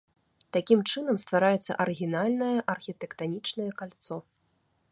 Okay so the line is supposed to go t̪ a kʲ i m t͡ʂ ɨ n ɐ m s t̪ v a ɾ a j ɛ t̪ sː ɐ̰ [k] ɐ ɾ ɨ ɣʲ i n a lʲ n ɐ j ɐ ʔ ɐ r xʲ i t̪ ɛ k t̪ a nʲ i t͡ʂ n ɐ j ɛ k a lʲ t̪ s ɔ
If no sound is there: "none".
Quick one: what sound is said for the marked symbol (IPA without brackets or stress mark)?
ʔ